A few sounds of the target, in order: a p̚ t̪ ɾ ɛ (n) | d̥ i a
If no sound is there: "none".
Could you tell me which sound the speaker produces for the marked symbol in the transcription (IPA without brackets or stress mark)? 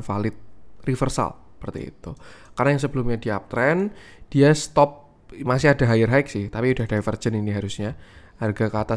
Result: n